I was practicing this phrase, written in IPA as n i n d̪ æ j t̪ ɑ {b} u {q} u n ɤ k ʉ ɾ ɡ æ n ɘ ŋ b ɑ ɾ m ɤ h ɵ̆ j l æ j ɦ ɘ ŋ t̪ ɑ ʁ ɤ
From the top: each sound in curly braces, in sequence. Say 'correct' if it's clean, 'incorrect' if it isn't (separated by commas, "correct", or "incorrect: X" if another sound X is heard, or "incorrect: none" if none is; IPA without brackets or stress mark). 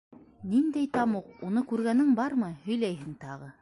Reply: incorrect: m, correct